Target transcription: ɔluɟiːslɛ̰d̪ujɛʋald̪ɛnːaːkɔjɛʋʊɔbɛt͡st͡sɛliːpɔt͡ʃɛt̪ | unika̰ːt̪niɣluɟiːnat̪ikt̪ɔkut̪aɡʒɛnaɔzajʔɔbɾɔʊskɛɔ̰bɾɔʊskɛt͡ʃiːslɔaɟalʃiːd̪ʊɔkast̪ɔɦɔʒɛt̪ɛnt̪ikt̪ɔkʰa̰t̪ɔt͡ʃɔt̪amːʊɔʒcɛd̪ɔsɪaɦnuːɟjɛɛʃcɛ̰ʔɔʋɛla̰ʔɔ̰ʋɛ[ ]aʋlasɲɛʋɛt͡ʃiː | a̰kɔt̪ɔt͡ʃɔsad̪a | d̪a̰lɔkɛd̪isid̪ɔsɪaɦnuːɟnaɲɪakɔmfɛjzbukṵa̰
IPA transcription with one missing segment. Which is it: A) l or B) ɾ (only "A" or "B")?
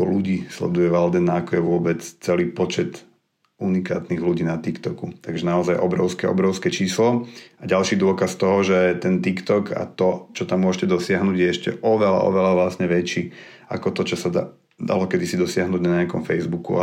A